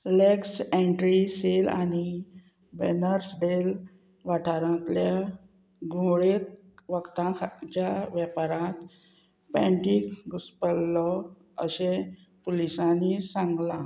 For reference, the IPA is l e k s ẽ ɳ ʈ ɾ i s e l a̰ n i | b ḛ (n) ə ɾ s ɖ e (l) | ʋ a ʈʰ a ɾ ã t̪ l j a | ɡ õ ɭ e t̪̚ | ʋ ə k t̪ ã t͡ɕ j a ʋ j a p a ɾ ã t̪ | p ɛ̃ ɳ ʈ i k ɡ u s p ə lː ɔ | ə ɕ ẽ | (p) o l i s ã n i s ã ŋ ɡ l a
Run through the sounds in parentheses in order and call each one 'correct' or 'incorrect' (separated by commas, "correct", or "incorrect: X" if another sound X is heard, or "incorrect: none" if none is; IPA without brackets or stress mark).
correct, correct, correct